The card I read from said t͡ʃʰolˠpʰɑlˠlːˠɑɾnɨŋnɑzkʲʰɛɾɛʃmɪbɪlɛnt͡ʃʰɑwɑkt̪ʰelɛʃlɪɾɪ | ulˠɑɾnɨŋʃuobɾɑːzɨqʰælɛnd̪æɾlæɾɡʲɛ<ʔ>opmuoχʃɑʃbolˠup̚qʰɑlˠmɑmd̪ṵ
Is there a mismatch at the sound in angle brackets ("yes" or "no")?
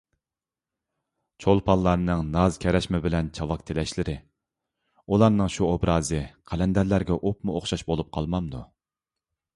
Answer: no